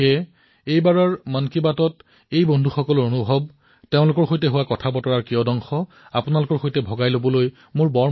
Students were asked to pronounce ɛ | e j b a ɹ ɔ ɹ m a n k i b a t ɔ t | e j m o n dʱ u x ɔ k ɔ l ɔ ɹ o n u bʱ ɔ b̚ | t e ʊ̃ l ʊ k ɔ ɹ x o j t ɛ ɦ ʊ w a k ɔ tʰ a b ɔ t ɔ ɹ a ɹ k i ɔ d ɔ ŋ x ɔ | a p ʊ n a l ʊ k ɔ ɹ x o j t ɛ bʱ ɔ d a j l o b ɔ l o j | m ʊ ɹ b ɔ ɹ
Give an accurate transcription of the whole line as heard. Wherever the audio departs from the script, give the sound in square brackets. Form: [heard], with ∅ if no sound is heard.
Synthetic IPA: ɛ | e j b a ɹ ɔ ɹ m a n k i b a t ɔ t | e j [b] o n dʱ u x ɔ k ɔ l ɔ ɹ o n u bʱ ɔ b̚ | t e ʊ̃ l ʊ k ɔ ɹ x o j t ɛ ɦ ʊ w a k ɔ tʰ a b ɔ t ɔ ɹ a ɹ k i ɔ d ɔ ŋ x ɔ | a p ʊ n a l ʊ k ɔ ɹ x o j t ɛ bʱ ɔ [ɡ] a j l o b ɔ l o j | m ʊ ɹ b ɔ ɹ